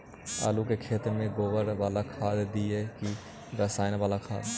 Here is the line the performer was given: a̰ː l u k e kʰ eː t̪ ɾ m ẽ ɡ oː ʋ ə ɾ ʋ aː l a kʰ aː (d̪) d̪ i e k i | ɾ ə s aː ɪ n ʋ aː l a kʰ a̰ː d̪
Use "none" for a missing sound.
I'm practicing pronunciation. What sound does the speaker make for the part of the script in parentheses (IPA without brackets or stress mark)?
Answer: d̪